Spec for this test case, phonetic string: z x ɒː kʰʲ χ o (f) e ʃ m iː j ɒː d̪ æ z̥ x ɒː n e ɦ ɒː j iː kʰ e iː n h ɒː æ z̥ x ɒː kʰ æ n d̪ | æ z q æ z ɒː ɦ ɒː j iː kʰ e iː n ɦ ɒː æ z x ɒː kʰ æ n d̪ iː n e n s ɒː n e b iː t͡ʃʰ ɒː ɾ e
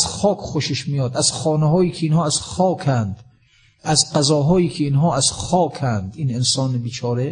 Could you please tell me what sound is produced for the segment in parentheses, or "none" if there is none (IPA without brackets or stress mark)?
ʃ